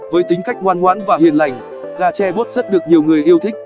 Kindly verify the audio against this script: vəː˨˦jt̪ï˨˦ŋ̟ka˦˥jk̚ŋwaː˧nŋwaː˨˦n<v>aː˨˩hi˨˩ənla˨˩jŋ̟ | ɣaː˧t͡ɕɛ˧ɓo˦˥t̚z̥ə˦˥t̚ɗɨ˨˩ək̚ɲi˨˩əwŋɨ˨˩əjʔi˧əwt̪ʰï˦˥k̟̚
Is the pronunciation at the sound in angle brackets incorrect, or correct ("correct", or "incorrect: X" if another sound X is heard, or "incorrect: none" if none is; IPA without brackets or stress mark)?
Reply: correct